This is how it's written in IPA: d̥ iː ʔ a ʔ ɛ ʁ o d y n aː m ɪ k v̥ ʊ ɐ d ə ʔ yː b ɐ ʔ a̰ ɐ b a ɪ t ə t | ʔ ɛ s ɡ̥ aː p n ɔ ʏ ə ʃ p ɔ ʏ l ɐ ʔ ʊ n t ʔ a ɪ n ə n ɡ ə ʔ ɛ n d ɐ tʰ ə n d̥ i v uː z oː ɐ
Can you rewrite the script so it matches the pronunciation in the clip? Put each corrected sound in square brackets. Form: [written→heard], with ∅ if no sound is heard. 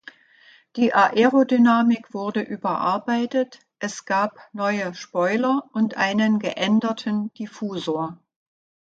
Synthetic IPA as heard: d̥ iː ʔ a ʔ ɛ ʁ o d y n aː m ɪ k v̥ ʊ ɐ d ə ʔ yː b ɐ ʔ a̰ ɐ b a ɪ t ə t | ʔ ɛ s ɡ̥ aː p n ɔ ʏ ə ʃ p ɔ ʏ l ɐ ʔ ʊ n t ʔ a ɪ n ə n ɡ ə ʔ ɛ n d ɐ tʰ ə n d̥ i [v→f] uː z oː ɐ